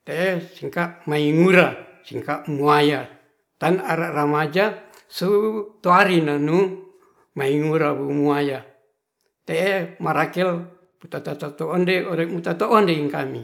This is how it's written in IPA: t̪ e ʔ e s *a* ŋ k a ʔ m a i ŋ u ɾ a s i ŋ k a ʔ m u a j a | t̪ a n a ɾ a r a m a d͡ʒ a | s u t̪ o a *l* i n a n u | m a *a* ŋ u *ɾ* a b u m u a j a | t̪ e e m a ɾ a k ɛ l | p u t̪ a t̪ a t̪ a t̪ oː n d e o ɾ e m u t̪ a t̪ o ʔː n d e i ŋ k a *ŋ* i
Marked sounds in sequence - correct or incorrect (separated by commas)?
incorrect, incorrect, incorrect, correct, incorrect